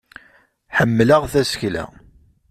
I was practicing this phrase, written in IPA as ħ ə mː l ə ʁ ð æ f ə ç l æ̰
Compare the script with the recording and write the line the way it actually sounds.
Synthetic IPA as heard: ħ ə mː l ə ʁ θ æ s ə ç l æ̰